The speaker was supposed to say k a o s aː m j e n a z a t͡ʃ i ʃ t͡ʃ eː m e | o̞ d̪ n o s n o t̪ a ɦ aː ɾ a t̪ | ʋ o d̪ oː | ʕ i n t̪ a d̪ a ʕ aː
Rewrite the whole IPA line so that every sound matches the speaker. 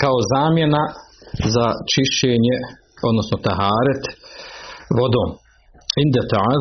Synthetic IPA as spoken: k a o z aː m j e n a z a t͡ʃ i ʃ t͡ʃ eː ɲ e | o̞ d̪ n o s n o t̪ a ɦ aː ɾ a t̪ | ʋ o d̪ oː | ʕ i n d̪ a t̪ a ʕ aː